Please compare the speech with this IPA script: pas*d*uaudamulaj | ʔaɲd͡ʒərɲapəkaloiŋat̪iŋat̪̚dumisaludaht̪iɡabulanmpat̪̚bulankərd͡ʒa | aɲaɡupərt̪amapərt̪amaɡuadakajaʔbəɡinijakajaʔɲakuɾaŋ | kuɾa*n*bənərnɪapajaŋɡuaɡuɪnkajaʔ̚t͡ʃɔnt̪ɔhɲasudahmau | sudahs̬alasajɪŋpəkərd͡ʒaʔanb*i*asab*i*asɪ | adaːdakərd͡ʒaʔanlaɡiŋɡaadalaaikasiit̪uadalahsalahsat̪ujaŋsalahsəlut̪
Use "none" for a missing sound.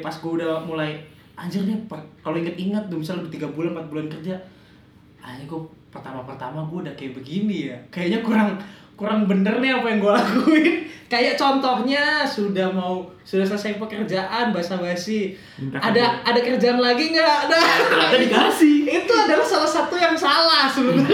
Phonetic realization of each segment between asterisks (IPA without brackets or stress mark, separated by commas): ɡ, ŋ, a, a